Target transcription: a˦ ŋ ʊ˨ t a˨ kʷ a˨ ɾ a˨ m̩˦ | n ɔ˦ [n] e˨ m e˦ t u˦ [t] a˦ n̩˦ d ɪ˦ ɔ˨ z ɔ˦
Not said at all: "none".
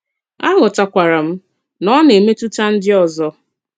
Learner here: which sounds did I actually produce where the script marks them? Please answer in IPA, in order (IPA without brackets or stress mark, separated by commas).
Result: n, t